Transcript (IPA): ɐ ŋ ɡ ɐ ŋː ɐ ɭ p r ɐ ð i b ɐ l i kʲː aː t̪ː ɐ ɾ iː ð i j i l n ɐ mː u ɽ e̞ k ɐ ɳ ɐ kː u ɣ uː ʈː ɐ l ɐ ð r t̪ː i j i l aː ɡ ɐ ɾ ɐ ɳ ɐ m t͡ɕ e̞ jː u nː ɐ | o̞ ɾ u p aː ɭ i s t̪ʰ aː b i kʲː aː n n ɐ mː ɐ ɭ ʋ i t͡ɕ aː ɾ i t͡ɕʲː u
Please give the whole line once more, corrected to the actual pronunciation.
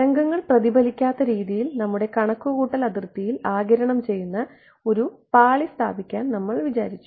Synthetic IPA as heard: ɐ ŋ ɡ ɐ ŋː ɐ ɭ p r ɐ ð i b ɐ l i kʲː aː t̪ː ɐ ɾ iː ð i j i l n ɐ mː u ɽ e̞ k ɐ ɳ ɐ kː u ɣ uː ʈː ɐ l ɐ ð r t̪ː i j i l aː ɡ ɐ ɾ ɐ ɳ ɐ m t͡ɕ e̞ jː u nː ɐ | o̞ ɾ u p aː ɭ i s t̪ʰ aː b i kʲː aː n n ɐ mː ɐ ɭ ʋ i t͡ɕ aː ɾ i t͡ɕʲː u